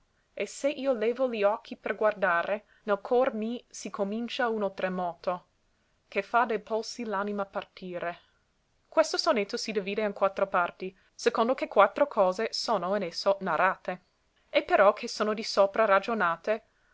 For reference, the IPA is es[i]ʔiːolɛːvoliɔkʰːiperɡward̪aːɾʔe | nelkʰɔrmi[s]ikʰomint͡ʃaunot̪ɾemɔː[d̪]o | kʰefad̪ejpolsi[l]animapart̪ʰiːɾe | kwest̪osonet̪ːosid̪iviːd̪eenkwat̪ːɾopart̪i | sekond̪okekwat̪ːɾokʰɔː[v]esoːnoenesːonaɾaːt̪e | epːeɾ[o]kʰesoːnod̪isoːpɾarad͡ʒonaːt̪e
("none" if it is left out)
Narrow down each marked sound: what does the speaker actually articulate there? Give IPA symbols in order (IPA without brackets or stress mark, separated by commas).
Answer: e, s, t̪, l, z, ɔ